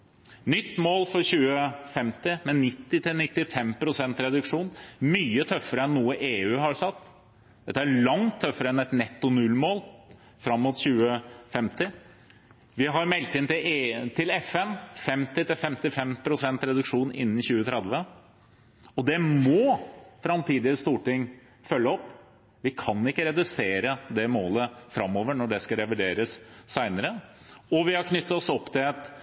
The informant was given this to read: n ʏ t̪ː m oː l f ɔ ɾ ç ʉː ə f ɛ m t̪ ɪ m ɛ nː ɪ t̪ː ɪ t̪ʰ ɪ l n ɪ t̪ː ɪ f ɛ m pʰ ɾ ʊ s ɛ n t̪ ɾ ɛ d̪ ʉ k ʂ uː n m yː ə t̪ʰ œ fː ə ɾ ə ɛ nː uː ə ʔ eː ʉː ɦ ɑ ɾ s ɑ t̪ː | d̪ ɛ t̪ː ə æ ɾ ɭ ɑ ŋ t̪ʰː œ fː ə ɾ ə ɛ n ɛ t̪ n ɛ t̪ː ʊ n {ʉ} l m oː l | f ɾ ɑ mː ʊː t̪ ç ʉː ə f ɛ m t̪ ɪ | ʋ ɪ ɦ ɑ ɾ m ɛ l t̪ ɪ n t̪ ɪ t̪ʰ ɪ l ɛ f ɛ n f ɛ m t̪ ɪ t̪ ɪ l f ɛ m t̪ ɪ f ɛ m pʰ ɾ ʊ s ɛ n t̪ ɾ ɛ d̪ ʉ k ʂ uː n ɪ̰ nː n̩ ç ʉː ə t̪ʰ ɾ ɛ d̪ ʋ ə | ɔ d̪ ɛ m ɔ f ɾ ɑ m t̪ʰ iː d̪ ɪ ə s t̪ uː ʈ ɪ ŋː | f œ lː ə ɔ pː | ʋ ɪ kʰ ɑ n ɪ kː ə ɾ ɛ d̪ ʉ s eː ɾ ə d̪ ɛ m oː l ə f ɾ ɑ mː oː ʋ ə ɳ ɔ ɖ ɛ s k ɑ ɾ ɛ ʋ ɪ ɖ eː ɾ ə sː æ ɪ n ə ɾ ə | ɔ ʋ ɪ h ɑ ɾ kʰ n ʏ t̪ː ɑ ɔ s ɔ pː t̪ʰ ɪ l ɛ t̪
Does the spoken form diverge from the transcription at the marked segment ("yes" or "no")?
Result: no